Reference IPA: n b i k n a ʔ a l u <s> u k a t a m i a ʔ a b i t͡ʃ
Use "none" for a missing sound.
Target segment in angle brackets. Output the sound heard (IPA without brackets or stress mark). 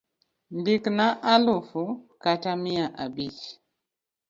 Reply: f